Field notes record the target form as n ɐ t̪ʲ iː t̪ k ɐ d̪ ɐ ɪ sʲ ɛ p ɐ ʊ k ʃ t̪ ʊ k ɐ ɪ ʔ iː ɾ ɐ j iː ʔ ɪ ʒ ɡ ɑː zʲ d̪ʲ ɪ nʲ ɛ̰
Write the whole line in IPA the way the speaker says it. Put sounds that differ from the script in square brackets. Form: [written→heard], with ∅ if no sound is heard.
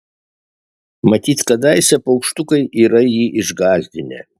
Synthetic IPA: [n→m] ɐ t̪ʲ iː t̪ k ɐ d̪ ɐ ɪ sʲ ɛ p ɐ ʊ k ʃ t̪ ʊ k ɐ ɪ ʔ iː ɾ ɐ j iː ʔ ɪ ʒ ɡ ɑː zʲ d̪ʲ ɪ nʲ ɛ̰